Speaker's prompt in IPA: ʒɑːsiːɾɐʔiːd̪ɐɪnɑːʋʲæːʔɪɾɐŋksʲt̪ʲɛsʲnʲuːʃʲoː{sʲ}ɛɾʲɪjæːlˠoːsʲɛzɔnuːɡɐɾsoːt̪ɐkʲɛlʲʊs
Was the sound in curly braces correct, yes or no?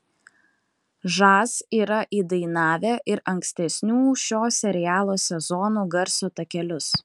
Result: yes